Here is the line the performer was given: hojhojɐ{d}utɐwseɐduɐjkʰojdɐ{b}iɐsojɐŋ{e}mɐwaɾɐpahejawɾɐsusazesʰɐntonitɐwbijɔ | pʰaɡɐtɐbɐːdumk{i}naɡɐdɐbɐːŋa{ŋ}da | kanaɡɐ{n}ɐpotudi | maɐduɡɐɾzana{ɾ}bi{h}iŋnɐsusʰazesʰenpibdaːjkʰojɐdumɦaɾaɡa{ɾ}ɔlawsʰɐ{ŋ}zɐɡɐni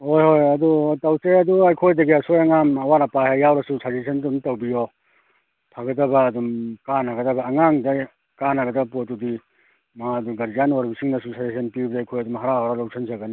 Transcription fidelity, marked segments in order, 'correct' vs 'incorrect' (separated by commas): correct, incorrect, incorrect, incorrect, correct, incorrect, correct, incorrect, correct, incorrect